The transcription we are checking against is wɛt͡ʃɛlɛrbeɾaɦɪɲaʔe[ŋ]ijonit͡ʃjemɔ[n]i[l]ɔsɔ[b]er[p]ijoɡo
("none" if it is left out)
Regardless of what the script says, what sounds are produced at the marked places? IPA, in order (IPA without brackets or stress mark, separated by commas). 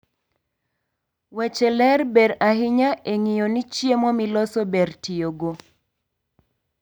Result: ŋ, m, l, b, t